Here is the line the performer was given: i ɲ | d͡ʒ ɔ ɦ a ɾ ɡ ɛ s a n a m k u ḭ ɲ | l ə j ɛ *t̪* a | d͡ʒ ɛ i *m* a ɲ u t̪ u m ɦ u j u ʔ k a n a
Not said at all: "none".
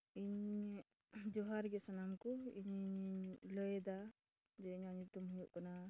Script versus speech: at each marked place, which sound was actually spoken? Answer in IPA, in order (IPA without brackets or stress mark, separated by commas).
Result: d̪, ɲ